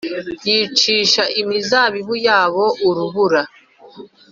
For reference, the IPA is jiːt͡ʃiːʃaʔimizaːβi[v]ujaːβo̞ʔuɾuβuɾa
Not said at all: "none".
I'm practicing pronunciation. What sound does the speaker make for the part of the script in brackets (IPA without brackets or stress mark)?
β